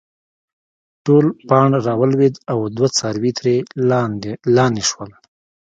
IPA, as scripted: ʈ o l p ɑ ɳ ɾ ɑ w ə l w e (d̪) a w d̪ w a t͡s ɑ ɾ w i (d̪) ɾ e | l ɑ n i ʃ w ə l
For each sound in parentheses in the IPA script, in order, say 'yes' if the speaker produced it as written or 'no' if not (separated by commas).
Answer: yes, no